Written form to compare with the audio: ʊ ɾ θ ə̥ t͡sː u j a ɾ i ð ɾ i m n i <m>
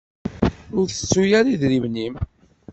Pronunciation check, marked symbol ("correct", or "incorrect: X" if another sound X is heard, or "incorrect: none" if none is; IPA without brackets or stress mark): correct